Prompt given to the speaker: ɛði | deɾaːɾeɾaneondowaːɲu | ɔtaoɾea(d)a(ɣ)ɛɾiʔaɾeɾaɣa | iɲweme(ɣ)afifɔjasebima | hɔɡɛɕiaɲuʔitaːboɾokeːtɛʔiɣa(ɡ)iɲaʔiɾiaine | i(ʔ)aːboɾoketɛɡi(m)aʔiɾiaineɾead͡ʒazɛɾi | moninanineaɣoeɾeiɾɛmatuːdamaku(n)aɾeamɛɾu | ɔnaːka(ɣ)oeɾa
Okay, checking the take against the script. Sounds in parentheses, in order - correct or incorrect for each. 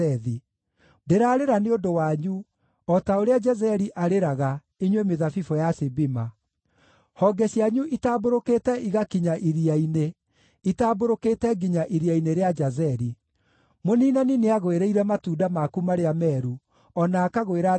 incorrect, incorrect, incorrect, incorrect, incorrect, incorrect, incorrect, correct

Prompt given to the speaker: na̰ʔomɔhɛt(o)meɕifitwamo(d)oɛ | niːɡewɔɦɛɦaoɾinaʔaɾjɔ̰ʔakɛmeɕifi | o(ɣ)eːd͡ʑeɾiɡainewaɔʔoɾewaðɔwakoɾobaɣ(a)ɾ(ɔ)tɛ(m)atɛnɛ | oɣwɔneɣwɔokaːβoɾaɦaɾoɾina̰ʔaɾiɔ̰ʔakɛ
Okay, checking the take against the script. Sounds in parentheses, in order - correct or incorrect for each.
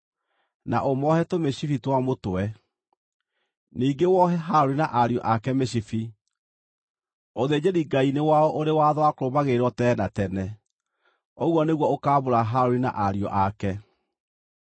correct, incorrect, incorrect, incorrect, correct, incorrect

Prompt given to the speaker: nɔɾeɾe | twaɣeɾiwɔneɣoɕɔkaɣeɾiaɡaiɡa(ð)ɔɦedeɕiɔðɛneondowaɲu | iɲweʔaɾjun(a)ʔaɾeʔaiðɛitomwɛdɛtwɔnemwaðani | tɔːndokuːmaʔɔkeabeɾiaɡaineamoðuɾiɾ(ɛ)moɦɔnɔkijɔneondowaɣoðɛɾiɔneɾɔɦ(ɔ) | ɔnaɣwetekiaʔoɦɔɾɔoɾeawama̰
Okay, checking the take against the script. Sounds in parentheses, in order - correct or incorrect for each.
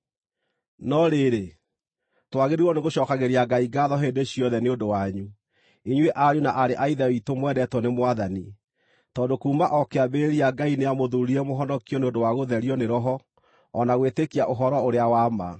correct, correct, correct, correct

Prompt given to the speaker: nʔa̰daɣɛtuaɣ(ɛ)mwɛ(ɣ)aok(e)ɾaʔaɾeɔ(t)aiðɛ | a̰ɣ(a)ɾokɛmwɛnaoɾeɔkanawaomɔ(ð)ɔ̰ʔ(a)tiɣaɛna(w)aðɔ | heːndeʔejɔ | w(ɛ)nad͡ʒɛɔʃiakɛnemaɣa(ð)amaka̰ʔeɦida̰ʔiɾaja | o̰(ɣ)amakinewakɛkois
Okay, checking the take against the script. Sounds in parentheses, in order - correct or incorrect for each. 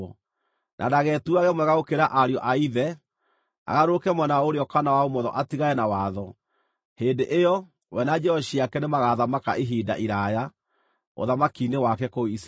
correct, correct, correct, incorrect, correct, correct, correct, correct, correct, correct, incorrect

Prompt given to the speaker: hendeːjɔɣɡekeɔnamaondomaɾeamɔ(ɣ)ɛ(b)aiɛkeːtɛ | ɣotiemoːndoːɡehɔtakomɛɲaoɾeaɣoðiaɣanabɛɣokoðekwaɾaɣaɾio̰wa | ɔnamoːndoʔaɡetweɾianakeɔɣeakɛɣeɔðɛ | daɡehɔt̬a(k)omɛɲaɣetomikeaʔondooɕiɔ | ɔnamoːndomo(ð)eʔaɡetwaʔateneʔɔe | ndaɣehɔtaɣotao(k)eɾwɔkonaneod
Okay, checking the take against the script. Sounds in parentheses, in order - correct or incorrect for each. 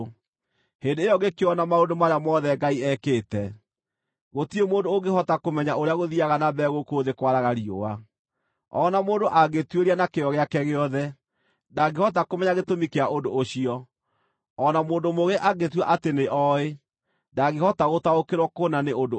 incorrect, incorrect, correct, incorrect, correct

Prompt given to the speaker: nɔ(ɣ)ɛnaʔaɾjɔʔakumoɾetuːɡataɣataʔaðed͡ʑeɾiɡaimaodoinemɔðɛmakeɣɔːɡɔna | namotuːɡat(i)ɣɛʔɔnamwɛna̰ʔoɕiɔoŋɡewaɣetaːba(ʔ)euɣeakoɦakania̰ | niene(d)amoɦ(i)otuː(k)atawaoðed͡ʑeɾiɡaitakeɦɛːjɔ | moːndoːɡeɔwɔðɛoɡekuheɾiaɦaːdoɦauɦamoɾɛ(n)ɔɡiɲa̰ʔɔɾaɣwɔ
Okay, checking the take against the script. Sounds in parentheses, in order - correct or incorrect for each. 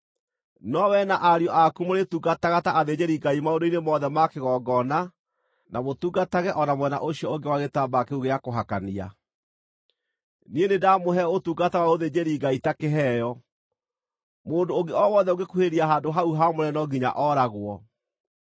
incorrect, incorrect, incorrect, correct, incorrect, incorrect, correct

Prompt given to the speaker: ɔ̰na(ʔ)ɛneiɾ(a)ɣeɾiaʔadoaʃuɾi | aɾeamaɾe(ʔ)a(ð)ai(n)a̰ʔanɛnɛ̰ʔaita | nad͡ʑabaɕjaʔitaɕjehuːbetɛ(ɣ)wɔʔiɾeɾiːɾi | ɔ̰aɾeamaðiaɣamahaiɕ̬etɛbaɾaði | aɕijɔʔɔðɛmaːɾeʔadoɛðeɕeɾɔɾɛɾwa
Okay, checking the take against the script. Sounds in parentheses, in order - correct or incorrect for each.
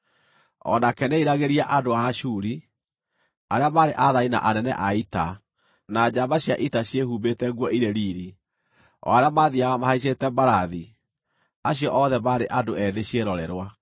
incorrect, correct, correct, correct, correct, correct

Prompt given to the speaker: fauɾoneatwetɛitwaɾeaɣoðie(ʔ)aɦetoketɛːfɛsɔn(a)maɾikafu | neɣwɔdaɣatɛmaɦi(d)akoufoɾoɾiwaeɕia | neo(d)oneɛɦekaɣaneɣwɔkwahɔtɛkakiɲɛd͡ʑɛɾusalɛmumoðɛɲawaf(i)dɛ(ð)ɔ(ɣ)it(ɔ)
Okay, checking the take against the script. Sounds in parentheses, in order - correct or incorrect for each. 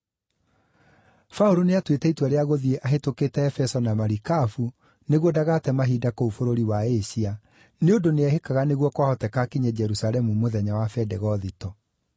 correct, correct, correct, correct, incorrect, incorrect, incorrect, correct

